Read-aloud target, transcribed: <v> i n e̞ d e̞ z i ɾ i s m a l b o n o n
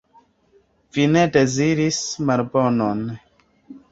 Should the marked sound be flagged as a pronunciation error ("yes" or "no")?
no